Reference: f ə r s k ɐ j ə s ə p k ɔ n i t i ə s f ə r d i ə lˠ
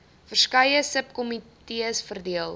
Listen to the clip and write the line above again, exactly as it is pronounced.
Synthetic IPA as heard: f ə r s k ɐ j ə s ə p k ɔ m i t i ə s f ə r d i ə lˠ